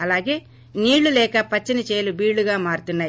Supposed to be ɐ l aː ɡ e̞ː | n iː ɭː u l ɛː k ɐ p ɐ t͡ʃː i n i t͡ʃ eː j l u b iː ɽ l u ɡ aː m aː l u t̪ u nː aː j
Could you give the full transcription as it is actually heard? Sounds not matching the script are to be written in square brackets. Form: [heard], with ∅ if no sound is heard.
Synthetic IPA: ɐ l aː ɡ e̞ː | n iː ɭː u l ɛː k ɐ p ɐ t͡ʃː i n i t͡ʃ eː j l u b iː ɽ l u ɡ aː m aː [ɾ] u t̪ u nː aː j